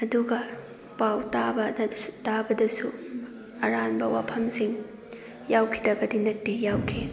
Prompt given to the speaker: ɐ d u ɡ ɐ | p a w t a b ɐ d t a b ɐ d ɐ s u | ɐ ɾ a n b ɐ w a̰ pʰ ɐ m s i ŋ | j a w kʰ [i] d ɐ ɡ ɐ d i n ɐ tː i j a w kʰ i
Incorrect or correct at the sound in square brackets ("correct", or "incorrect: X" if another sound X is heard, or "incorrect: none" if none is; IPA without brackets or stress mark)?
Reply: correct